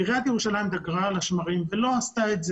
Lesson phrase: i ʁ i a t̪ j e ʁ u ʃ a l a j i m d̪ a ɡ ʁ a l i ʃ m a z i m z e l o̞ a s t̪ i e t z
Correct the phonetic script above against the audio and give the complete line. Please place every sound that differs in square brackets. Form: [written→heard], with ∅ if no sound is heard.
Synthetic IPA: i ʁ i a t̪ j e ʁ u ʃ a l a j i m d̪ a ɡ ʁ a l [i→a] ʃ m a [z→ʁ] i m [z→v] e l o̞ a s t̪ [i→a] e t z